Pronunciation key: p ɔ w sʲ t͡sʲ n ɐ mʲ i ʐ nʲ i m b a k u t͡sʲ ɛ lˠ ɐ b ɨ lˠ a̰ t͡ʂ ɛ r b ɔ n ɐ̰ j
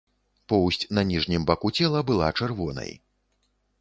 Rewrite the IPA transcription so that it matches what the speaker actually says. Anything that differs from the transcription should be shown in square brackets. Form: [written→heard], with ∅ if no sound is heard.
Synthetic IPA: p ɔ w sʲ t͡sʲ n ɐ [mʲ→nʲ] i ʐ nʲ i m b a k u t͡sʲ ɛ lˠ ɐ b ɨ lˠ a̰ t͡ʂ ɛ r [b→v] ɔ n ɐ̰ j